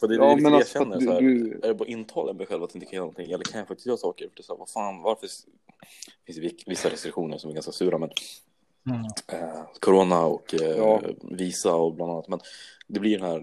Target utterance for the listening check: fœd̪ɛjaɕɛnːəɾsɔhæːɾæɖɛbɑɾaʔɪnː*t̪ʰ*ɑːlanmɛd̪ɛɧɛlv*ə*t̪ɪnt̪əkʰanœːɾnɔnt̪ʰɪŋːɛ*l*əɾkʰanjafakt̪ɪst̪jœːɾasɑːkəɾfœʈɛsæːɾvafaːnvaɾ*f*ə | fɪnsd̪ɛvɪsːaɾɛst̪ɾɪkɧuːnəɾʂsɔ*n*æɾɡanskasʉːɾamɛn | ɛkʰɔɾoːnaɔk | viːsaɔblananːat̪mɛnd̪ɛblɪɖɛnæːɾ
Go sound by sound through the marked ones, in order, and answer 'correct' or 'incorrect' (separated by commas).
correct, incorrect, incorrect, correct, incorrect